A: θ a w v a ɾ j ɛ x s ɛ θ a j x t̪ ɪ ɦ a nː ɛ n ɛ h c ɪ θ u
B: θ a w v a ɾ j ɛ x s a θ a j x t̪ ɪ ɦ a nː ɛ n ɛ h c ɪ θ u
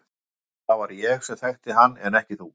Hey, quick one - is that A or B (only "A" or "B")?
A